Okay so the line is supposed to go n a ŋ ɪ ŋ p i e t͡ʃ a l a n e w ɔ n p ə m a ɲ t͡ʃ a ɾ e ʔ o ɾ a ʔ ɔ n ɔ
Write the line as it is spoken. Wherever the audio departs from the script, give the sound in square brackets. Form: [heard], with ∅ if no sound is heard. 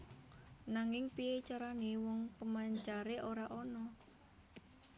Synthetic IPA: n a ŋ ɪ ŋ p i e t͡ʃ a [ɾ] a n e w ɔ [ŋ] p ə m a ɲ t͡ʃ a ɾ e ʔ o ɾ a ʔ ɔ n ɔ